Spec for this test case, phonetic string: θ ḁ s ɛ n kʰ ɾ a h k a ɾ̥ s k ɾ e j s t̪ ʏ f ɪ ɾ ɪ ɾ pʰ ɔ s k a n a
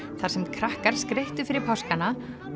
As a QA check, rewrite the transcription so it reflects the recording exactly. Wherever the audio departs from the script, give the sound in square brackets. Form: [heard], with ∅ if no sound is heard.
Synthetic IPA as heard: θ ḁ s ɛ [m] kʰ ɾ a h k a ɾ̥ s k ɾ e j [h] t̪ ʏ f ɪ ɾ ɪ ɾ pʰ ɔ s k a n a